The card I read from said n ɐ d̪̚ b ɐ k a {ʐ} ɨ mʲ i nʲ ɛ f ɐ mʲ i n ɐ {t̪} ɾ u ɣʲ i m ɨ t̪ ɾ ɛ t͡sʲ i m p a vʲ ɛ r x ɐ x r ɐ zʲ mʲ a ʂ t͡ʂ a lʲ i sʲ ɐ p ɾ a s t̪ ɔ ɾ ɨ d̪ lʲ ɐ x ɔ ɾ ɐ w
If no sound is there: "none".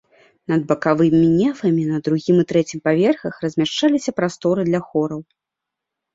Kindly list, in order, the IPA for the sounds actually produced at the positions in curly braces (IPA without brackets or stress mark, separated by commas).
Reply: v, d̪